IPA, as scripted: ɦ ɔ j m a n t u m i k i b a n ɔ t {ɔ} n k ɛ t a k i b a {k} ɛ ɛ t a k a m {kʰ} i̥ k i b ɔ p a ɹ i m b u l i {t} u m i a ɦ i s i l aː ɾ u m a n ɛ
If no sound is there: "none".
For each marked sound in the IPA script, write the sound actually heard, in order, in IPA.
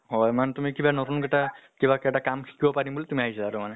u, k, kʰ, t

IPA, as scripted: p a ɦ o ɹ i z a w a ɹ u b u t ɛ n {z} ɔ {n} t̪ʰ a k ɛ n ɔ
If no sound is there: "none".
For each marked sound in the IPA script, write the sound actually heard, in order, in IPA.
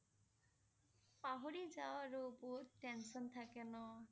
s, n

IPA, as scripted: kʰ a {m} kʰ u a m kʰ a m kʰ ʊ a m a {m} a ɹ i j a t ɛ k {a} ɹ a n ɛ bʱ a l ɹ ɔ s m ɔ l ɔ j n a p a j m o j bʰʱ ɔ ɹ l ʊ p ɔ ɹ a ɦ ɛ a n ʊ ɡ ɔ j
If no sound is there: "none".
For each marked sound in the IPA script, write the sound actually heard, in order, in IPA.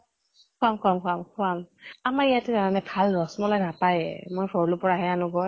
m, m, a

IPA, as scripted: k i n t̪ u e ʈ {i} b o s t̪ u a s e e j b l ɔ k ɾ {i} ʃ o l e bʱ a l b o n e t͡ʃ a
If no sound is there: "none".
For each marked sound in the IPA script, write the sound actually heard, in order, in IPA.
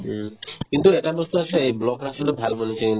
a, a

